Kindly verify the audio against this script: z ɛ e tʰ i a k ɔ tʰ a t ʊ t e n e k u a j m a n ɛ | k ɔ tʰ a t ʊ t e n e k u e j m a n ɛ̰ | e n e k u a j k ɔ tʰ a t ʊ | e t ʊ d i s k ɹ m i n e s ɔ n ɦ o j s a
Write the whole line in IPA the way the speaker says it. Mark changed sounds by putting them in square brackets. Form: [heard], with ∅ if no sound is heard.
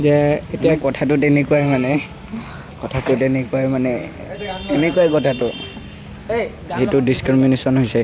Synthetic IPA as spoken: z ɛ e [t] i a k ɔ tʰ a t ʊ t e n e k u a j m a n ɛ | k ɔ tʰ a t ʊ t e n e k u [a] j m a n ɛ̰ | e n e k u a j k ɔ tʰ a t ʊ | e t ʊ d i s k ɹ m i n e s ɔ n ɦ o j s [ɛ]